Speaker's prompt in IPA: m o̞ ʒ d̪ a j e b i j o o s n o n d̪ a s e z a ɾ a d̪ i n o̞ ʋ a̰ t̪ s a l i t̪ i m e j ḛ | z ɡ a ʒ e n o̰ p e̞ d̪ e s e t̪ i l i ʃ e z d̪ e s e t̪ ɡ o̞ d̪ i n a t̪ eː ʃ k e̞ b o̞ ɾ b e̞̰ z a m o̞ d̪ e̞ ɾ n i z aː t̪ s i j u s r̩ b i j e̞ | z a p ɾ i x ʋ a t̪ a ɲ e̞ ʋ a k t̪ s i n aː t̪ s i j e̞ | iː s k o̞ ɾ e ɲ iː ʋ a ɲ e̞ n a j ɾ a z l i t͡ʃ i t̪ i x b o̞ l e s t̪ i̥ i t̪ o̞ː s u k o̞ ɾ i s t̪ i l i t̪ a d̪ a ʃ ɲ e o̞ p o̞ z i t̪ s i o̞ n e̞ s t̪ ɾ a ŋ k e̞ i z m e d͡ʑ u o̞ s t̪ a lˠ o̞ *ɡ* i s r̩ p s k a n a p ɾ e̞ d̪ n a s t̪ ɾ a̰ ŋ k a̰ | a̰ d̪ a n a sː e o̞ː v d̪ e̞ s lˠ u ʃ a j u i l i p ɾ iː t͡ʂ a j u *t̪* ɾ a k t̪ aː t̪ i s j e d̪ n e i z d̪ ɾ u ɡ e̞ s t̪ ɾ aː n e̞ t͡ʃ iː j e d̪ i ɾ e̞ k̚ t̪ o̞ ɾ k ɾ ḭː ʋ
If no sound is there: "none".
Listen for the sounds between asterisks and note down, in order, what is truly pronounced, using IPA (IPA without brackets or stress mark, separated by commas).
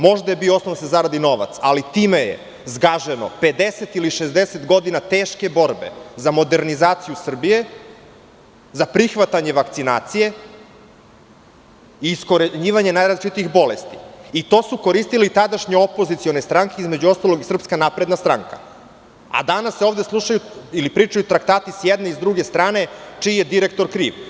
ɡ, t̪